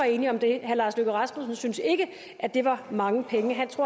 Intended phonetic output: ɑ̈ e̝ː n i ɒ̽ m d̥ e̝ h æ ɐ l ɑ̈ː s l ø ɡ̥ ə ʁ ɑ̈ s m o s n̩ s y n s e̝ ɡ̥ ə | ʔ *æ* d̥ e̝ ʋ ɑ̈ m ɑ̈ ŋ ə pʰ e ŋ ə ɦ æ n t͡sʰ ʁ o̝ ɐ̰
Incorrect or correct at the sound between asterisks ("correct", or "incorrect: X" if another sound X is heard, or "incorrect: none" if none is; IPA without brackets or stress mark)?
correct